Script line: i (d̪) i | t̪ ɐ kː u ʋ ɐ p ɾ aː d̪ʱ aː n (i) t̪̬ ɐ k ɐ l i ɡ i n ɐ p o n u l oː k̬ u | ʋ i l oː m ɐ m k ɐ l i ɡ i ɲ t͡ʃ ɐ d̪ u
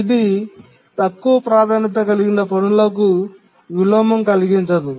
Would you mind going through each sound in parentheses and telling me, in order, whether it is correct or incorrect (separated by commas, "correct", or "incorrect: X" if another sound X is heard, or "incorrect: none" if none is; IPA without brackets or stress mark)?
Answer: correct, correct